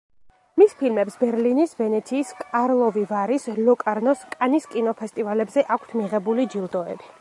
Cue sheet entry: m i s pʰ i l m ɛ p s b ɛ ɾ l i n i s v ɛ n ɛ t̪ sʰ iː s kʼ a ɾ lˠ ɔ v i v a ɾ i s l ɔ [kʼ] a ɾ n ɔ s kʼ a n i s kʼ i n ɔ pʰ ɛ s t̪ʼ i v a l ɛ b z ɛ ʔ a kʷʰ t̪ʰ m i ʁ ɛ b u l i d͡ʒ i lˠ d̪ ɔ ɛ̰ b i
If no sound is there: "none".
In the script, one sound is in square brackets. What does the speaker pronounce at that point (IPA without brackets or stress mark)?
kʼ